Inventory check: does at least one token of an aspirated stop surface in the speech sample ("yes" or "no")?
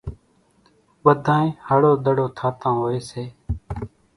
yes